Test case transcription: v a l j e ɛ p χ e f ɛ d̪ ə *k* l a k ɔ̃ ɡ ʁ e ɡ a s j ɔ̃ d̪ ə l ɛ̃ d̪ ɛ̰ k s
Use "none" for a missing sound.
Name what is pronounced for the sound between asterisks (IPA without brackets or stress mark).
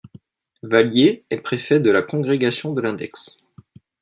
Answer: none